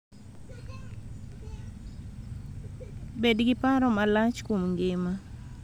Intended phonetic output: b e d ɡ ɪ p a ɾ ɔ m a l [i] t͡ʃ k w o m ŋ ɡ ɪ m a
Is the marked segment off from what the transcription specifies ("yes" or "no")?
yes